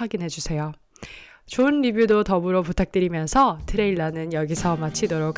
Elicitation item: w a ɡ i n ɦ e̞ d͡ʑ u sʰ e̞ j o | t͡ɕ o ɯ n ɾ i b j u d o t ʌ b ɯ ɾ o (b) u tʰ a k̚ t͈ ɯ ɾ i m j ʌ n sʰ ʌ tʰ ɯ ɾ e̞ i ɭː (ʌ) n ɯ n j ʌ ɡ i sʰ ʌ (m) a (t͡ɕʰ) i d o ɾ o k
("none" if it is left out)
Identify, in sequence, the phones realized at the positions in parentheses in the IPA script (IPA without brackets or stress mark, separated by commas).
p, a, m, t͡ɕʰ